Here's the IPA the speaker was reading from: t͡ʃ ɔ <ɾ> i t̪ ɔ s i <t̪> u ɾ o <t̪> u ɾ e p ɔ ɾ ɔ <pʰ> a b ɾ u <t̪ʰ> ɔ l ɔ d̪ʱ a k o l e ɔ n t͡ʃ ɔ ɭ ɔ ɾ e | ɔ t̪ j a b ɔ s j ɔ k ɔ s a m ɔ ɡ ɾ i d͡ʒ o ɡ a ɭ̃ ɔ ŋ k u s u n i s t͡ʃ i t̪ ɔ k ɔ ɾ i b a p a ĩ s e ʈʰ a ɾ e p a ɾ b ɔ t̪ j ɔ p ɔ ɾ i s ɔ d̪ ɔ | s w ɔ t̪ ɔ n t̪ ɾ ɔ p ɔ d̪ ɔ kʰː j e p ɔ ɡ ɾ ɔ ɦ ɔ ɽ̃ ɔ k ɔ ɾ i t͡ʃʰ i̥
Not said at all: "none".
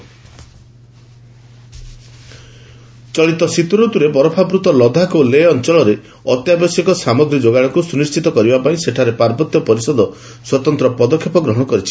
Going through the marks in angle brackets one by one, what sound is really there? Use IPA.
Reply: ɭ, t̪, t̪, pʰ, t̪

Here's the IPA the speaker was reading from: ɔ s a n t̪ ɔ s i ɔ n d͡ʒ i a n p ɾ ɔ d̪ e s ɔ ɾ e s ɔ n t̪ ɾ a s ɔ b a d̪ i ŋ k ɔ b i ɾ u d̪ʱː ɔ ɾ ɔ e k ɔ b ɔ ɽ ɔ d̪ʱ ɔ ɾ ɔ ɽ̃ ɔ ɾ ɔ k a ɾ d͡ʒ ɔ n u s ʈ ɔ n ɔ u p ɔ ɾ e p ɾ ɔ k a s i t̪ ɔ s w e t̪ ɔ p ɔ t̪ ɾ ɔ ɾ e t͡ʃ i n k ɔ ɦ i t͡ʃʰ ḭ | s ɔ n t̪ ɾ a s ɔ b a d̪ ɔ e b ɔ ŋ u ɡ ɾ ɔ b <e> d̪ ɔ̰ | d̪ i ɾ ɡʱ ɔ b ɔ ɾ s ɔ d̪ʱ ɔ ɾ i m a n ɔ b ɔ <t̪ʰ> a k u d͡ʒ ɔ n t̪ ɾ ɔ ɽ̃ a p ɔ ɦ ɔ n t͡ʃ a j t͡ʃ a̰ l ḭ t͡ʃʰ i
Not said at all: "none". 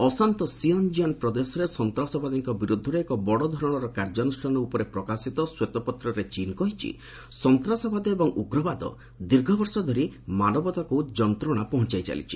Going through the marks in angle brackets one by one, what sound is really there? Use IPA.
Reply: a, t̪

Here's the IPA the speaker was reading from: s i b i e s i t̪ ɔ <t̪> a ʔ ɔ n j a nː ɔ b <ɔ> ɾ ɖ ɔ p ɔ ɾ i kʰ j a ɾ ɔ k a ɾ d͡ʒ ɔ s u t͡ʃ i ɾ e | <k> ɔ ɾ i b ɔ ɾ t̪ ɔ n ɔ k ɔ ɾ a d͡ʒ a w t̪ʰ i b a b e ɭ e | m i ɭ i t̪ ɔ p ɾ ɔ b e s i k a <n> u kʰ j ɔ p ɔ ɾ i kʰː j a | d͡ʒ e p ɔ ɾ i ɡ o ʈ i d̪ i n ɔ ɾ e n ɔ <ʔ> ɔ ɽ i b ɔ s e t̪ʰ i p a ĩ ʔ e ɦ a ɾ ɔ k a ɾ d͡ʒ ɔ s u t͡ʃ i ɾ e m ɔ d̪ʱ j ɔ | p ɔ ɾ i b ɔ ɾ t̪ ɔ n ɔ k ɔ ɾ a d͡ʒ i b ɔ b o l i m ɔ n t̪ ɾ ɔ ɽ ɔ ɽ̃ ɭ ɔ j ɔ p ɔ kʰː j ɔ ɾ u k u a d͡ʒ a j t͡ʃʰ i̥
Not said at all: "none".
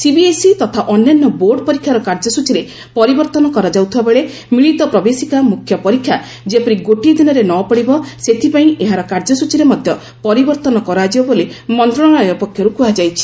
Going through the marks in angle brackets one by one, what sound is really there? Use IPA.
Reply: t̪ʰ, o, p, m, p

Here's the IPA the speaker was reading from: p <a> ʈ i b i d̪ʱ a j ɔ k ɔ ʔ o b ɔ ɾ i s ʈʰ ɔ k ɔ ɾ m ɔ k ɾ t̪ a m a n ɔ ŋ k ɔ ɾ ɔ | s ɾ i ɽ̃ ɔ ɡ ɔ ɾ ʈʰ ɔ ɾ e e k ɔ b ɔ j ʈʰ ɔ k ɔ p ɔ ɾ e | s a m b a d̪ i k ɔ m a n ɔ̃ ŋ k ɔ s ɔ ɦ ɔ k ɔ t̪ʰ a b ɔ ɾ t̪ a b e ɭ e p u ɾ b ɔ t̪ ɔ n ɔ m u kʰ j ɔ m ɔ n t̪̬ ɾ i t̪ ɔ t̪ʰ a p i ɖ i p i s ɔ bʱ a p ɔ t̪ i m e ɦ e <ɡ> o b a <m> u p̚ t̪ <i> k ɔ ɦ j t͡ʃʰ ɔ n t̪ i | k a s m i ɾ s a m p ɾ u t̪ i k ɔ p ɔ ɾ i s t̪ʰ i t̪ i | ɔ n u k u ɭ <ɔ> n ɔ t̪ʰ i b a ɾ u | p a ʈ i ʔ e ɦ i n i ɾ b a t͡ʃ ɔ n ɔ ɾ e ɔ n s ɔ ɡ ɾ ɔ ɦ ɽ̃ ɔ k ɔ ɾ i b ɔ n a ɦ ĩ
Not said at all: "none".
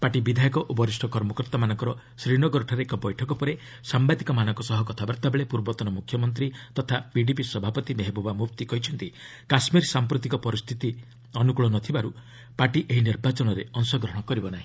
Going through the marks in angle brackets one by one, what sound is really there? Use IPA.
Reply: a, b, m, i, ɔ

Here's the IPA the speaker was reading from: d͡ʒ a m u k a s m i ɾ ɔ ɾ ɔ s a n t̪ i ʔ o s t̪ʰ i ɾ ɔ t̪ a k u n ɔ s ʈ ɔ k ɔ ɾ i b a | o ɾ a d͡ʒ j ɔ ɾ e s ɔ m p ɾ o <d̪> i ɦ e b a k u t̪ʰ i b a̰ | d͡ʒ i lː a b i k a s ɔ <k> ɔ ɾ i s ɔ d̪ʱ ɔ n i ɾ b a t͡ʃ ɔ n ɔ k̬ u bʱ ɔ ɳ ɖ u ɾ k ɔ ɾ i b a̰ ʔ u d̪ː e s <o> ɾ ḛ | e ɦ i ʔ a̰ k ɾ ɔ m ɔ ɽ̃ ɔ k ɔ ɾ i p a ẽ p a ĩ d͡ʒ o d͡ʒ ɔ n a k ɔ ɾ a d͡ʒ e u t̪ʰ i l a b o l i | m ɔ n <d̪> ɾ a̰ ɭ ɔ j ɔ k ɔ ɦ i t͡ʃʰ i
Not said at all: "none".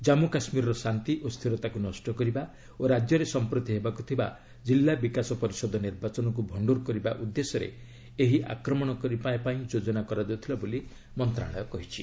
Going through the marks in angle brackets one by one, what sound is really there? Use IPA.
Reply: t̪, p, ɔ, t̪

